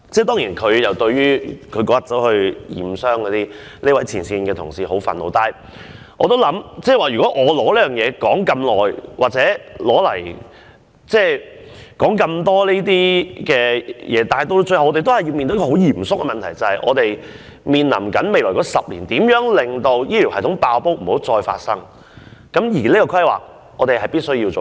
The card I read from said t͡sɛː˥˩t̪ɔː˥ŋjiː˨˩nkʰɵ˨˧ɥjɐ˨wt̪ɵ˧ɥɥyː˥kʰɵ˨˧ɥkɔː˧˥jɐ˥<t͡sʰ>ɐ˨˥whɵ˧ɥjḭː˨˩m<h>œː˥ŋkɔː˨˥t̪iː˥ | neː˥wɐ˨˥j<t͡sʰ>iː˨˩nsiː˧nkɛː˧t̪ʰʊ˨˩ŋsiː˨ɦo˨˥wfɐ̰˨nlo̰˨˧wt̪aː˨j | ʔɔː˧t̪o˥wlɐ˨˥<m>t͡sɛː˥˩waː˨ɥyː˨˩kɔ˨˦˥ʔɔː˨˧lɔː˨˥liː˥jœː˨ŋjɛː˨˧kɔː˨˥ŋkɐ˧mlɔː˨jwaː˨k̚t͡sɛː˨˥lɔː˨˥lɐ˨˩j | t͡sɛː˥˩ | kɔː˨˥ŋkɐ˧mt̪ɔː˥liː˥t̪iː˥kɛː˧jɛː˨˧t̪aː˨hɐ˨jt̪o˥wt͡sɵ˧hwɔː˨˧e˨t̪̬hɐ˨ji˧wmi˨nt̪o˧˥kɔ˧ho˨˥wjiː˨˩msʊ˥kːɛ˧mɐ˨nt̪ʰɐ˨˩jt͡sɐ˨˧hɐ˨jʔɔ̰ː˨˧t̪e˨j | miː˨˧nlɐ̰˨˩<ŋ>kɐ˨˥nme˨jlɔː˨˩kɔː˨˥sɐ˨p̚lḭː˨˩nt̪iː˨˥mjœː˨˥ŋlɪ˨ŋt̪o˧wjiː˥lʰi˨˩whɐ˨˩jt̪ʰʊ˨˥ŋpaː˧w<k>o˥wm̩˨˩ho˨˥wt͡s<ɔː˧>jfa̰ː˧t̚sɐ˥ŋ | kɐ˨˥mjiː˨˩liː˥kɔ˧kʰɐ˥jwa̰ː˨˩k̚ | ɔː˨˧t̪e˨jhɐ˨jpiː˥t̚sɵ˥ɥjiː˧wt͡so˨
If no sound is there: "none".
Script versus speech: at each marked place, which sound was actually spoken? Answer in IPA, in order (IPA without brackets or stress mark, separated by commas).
t͡s, s, t͡sʰ, m, m, p, ɔː˧